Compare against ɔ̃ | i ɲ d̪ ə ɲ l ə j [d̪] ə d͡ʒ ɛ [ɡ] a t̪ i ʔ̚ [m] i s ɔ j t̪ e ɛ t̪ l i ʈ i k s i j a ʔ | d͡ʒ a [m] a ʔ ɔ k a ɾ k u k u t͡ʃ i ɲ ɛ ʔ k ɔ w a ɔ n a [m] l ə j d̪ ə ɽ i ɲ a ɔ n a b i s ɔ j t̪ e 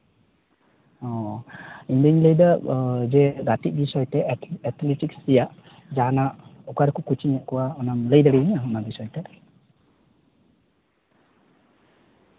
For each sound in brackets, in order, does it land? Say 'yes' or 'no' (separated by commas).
yes, yes, no, no, yes